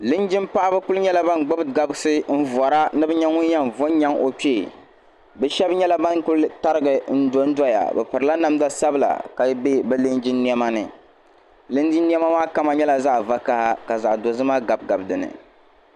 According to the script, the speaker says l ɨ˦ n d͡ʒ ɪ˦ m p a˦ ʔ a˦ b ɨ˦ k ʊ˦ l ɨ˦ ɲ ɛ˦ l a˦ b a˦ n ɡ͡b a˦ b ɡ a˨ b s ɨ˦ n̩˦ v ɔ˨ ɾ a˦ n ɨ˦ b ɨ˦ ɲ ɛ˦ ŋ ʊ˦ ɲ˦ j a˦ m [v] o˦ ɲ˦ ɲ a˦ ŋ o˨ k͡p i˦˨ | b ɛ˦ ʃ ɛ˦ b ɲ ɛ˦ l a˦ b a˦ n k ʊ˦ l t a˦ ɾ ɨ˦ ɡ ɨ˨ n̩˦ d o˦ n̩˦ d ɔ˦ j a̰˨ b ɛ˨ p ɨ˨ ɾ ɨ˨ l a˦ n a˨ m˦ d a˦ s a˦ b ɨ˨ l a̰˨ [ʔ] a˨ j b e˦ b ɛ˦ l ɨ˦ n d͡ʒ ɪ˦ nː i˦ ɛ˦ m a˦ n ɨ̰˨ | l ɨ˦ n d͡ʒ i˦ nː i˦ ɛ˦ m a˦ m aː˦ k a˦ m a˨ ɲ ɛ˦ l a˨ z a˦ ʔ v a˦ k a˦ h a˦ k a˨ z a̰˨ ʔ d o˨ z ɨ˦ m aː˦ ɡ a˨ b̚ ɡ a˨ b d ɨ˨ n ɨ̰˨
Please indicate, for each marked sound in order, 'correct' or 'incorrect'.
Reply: correct, incorrect

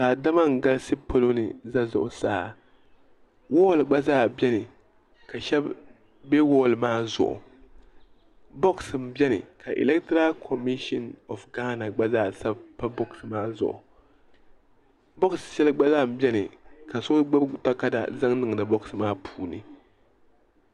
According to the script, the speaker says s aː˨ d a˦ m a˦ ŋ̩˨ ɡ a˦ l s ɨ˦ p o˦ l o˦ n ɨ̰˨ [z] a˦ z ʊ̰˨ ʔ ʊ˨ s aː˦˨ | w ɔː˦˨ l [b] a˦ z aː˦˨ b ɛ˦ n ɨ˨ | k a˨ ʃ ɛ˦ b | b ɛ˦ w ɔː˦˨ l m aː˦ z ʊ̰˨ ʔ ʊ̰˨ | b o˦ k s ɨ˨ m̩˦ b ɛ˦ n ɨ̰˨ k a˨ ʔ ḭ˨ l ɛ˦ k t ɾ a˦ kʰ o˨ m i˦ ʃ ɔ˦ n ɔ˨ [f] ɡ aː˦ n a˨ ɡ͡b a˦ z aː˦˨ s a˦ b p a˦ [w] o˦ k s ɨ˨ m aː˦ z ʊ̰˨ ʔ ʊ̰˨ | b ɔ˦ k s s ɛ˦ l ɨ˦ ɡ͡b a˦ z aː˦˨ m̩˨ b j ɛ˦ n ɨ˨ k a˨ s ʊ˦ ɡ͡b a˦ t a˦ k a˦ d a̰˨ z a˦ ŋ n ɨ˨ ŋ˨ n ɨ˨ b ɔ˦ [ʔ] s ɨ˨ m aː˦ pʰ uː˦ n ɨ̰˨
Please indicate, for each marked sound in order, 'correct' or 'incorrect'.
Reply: correct, incorrect, correct, incorrect, incorrect

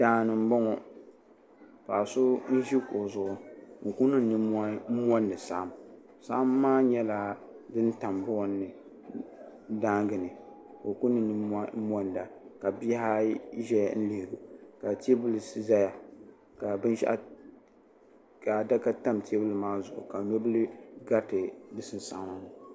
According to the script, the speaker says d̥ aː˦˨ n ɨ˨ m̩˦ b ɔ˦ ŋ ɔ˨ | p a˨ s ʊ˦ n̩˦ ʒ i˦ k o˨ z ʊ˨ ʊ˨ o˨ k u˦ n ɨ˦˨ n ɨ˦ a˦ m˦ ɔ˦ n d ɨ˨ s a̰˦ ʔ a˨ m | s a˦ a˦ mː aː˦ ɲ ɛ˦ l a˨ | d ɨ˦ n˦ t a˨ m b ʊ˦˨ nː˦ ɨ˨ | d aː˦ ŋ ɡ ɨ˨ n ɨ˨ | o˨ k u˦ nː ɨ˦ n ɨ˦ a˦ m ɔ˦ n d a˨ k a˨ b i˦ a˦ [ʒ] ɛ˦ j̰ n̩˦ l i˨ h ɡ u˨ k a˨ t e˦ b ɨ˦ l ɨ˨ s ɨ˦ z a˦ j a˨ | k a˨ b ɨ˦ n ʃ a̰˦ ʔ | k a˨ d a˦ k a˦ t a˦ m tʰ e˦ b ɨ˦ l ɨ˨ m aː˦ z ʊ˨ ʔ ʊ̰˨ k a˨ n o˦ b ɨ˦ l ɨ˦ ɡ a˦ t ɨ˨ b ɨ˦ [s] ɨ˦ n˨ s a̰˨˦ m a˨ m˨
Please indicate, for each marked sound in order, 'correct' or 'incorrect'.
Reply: correct, correct

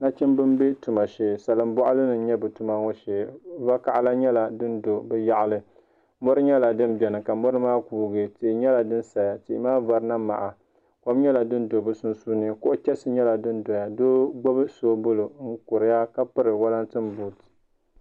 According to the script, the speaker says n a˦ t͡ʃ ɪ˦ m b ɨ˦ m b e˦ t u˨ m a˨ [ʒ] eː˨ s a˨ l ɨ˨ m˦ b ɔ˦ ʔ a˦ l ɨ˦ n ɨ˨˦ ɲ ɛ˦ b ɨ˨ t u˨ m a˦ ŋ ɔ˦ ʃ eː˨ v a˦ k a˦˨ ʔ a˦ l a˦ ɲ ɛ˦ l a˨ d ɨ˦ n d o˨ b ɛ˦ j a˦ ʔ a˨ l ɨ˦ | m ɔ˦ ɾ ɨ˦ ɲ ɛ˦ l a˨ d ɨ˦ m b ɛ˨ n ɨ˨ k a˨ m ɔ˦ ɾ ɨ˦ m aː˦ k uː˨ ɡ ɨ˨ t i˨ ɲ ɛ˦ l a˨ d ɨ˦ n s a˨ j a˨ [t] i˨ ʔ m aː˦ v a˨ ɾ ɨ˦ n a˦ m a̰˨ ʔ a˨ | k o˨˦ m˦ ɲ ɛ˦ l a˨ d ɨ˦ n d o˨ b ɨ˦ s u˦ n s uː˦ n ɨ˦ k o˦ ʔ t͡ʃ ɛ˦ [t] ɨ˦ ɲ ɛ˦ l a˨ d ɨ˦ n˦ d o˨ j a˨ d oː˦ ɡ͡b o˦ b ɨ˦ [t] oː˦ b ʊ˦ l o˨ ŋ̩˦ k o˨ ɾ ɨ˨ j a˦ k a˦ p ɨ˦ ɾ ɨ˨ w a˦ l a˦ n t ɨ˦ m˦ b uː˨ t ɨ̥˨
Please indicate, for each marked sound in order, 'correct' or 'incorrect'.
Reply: incorrect, correct, incorrect, incorrect

